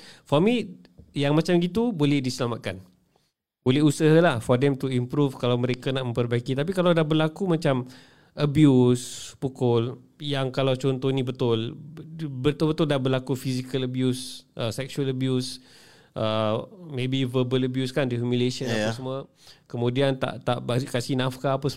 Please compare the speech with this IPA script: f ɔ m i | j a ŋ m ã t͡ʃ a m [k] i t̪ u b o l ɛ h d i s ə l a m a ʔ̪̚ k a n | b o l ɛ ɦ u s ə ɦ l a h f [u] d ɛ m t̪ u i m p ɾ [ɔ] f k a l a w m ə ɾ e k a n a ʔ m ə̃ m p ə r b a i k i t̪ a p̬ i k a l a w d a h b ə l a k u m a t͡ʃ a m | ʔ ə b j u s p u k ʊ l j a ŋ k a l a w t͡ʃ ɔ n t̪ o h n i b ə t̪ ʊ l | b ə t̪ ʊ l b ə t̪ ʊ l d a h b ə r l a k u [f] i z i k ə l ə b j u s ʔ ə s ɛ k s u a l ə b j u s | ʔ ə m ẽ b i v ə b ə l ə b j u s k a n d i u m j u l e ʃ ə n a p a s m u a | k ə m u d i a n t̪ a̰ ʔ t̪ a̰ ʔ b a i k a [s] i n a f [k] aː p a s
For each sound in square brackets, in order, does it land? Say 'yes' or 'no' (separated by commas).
no, no, no, yes, yes, yes